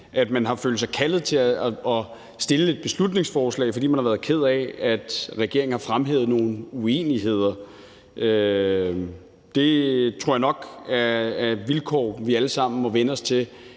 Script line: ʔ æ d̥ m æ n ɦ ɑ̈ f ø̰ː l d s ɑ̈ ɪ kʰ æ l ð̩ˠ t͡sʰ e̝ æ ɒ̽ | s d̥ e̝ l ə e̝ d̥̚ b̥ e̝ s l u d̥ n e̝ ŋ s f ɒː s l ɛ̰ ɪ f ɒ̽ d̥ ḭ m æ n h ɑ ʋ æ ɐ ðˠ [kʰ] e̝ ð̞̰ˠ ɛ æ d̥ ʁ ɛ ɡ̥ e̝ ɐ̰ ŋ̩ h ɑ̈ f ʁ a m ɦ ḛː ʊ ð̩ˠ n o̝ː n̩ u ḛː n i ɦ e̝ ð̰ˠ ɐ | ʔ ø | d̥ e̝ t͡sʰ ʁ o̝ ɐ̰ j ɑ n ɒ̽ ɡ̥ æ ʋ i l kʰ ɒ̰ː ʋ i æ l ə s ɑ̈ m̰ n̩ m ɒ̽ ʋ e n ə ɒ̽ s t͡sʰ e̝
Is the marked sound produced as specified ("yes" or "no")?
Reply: yes